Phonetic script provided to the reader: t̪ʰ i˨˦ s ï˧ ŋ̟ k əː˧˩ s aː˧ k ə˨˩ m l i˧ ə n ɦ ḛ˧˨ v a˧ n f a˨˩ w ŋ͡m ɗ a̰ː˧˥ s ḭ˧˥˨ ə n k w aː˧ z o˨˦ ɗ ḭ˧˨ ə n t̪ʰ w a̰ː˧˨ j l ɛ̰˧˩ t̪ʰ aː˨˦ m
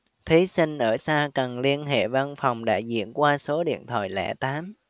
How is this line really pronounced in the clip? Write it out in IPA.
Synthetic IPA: t̪ʰ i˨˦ s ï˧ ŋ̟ ʔ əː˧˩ s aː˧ k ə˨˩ n l i˧ ə n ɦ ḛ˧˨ v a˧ n f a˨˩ w ŋ͡m ɗ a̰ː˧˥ z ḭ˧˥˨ ə n k w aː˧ s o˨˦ ɗ ḭ˧˨ ə n t̪ʰ w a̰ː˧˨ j l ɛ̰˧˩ t̪ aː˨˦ m